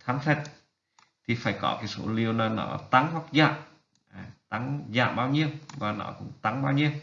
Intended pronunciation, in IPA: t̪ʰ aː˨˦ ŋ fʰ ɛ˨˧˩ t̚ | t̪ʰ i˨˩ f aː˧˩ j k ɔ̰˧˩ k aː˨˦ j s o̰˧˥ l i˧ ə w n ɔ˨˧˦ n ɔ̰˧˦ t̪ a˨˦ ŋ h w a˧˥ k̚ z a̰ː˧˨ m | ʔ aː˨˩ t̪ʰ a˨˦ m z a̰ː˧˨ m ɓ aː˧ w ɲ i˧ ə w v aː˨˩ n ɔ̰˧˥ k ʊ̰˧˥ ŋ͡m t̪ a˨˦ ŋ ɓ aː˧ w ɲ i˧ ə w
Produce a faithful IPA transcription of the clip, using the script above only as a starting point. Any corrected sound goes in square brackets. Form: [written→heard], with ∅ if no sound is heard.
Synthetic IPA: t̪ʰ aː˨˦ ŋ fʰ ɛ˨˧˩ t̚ | t̪ʰ i˨˩ f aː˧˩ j k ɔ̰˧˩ k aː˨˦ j s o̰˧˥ l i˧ ə w n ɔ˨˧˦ n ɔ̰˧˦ t̪ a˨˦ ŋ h w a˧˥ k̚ z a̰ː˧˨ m | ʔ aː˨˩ [t̪ʰ→t̪] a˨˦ [m→ŋ] z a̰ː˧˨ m ɓ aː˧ w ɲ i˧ ə w v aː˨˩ n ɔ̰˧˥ k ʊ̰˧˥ ŋ͡m t̪ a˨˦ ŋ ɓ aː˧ w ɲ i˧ ə w

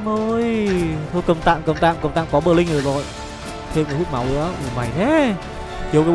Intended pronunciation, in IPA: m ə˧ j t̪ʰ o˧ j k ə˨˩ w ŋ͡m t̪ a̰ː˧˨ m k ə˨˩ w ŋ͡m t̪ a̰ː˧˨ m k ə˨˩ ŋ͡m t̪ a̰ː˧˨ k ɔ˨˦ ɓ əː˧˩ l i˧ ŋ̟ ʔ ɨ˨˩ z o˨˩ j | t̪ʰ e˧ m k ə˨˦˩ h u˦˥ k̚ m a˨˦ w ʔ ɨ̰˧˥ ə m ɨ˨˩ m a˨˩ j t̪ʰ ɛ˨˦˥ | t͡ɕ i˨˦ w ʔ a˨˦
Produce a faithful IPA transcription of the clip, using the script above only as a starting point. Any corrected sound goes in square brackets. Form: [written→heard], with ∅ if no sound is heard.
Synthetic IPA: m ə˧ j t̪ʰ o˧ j k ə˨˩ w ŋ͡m t̪ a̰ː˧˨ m k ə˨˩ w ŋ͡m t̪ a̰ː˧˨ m k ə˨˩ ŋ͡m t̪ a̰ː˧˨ k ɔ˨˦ ɓ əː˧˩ l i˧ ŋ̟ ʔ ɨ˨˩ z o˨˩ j | t̪ʰ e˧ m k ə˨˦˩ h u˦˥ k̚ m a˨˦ w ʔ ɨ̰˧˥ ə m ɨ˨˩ m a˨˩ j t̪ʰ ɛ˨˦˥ | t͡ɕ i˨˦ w [ʔ→k] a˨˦

